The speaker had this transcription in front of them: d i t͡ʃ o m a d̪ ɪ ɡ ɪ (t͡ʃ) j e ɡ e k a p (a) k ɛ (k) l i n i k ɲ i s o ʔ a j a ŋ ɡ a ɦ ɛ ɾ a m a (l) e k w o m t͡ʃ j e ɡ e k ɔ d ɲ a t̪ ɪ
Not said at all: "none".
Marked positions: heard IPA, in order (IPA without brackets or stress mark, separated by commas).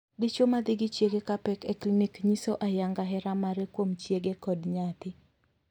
t͡ʃ, ɛ, k, ɾ